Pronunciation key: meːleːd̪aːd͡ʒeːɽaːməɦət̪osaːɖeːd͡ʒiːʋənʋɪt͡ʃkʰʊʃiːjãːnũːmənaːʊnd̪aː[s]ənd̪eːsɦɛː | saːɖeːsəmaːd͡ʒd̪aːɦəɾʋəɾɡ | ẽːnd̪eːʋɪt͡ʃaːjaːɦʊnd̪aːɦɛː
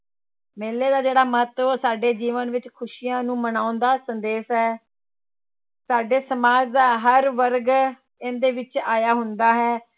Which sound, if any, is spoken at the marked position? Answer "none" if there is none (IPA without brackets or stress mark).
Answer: s